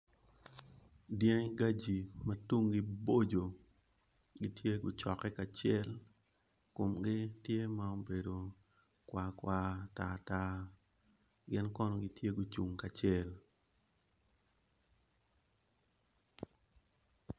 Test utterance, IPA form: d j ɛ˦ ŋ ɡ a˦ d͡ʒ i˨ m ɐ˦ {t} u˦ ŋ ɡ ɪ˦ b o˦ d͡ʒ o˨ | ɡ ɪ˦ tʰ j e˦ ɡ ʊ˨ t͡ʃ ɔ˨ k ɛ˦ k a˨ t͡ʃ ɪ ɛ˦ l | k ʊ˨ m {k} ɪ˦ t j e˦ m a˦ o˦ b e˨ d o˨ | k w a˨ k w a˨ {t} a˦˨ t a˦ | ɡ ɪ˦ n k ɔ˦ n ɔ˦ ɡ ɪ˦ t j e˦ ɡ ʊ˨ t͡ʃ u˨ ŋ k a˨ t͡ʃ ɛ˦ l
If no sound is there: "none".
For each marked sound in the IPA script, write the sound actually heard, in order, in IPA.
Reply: t, ɡ, t

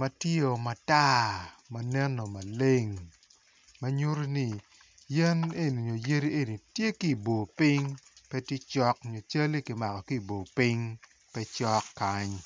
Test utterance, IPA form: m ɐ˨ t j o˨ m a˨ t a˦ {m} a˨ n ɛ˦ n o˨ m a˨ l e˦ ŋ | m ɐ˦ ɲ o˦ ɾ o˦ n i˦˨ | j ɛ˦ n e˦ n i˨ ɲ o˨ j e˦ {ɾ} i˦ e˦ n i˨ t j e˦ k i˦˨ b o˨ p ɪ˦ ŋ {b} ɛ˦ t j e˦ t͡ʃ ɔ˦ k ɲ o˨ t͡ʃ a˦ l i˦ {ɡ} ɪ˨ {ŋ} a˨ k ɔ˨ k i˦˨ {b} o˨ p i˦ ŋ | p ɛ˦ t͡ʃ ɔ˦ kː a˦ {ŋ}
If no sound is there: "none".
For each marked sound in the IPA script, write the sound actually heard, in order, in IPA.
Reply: m, ɾ, p, k, m, b, ɲ

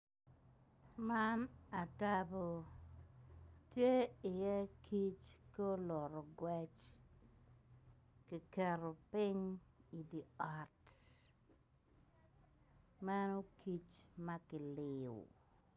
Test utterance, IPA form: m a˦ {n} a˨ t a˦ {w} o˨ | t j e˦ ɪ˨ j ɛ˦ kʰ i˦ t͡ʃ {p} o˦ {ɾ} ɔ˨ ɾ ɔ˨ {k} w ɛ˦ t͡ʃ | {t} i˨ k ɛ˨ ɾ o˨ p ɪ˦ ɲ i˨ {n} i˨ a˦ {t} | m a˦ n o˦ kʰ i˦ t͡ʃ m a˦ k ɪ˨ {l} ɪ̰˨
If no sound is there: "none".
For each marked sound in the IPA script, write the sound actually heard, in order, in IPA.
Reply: n, b, k, l, ɡ, k, d, t, l

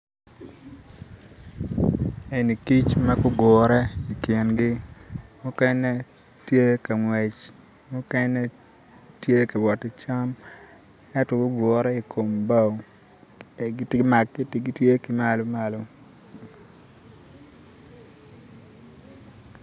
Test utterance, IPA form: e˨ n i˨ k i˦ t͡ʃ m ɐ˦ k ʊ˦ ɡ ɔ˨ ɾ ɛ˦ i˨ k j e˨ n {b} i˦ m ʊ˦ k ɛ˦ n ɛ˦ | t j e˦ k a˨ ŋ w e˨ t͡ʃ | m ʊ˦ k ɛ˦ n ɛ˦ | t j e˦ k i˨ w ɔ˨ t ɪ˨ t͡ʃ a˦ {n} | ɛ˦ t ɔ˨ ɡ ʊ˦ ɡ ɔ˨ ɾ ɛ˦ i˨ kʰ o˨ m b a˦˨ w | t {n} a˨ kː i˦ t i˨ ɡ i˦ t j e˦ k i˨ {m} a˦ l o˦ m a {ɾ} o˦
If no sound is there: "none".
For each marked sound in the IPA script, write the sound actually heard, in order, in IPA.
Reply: ɡ, m, m, m, l

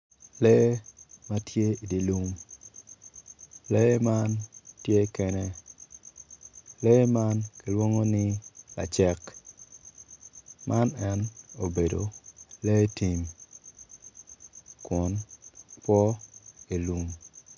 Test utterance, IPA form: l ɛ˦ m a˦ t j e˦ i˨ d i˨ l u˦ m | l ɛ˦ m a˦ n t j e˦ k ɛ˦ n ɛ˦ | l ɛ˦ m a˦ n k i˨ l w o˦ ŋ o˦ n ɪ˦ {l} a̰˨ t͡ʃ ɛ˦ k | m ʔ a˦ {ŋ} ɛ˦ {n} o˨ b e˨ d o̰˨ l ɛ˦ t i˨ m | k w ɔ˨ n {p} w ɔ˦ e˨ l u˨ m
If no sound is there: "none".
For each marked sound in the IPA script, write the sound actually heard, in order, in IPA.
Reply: l, n, n, p

